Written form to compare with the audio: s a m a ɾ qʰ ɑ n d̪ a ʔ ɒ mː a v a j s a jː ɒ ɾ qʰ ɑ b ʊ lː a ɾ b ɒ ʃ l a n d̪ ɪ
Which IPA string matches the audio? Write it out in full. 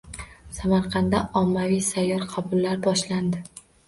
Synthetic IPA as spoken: s a m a ɾ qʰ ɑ n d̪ a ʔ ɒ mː a v i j s a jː ɒ ɾ qʰ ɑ b ʊ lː a ɾ b ɒ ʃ l a n d̪ ɪ